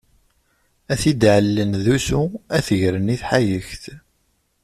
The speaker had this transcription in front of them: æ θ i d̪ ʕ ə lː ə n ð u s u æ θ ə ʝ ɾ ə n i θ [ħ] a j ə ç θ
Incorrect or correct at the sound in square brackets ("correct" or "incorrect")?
correct